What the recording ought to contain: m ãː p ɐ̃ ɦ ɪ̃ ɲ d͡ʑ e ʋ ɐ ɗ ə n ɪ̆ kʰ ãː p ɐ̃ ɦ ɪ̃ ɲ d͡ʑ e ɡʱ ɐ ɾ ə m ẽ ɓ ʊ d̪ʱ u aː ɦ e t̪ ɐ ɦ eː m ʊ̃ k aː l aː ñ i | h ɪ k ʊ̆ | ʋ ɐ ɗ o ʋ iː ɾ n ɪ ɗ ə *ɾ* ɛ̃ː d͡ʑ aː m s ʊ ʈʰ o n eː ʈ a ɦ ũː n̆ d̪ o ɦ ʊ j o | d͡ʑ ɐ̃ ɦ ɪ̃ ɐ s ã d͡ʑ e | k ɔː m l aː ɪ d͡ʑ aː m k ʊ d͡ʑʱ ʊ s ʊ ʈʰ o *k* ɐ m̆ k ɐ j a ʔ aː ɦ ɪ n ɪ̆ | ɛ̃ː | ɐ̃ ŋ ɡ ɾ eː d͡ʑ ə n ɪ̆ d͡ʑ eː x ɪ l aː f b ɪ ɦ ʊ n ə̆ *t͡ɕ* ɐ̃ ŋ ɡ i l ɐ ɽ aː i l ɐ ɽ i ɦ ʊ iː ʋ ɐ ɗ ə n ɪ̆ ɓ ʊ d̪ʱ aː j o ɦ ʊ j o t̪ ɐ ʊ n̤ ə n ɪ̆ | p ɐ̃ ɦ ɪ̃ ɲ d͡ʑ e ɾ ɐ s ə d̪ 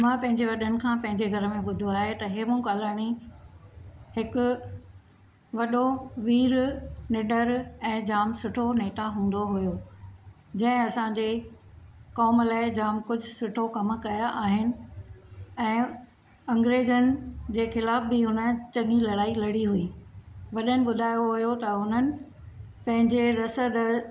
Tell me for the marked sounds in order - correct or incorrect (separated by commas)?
correct, correct, correct